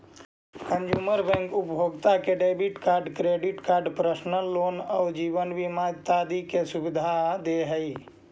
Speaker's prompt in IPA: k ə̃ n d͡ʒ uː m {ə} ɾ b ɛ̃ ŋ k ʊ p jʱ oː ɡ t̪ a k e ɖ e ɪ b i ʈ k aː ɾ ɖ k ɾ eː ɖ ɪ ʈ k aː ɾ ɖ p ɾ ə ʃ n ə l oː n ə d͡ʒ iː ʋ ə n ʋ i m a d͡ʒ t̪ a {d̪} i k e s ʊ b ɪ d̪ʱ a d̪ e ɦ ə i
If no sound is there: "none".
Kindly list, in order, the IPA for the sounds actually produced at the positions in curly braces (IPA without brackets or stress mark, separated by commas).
ə, d̪